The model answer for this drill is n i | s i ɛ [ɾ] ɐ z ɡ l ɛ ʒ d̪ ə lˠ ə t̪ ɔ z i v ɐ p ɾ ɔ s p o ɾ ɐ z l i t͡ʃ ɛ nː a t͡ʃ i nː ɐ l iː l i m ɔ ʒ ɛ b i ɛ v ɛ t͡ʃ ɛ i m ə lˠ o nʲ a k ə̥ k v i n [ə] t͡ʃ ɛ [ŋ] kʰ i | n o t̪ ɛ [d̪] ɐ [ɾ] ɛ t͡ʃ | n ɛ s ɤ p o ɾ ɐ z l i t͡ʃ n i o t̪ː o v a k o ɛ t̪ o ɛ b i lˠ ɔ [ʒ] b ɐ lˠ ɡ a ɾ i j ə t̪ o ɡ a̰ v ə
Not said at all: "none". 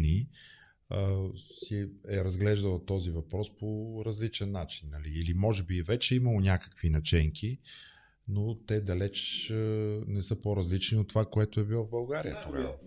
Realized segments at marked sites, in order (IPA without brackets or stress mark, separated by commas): ɾ, ɐ, ŋ, d̪, l, v